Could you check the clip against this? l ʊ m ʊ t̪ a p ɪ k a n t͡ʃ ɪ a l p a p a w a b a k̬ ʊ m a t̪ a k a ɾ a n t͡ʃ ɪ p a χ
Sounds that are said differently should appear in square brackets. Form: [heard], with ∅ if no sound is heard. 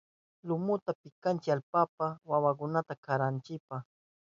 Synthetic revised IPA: l ʊ m ʊ t̪ a p ɪ k a n t͡ʃ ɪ a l p a p a w a [w] a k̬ ʊ [n] a t̪ a k a ɾ a n t͡ʃ ɪ p a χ